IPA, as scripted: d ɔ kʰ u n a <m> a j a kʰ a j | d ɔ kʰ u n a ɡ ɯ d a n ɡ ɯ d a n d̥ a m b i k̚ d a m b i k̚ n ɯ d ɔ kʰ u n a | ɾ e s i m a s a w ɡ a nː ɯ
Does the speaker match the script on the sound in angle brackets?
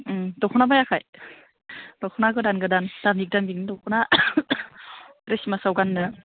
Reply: no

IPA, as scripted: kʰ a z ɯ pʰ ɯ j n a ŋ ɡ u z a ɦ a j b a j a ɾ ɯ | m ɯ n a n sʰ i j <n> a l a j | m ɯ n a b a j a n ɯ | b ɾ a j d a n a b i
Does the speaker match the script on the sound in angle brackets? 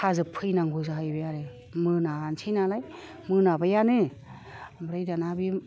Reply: yes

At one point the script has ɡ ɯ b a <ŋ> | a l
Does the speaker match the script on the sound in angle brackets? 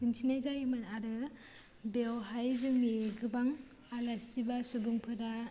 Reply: yes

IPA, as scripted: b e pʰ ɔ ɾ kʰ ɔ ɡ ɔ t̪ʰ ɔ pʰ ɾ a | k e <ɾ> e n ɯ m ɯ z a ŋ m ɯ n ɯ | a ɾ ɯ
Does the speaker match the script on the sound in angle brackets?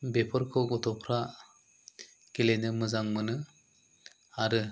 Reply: no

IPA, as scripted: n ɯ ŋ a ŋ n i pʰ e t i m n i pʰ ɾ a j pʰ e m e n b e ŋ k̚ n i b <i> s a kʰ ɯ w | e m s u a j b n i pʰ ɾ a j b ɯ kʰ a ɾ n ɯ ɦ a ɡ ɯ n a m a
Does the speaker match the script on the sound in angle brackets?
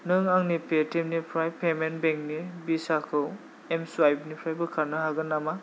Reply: yes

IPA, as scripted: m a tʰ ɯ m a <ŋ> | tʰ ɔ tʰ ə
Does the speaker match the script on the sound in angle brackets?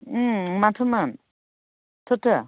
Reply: no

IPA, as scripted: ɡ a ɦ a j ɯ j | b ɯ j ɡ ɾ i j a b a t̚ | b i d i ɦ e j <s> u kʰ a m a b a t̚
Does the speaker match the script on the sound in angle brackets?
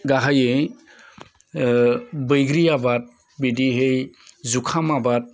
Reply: no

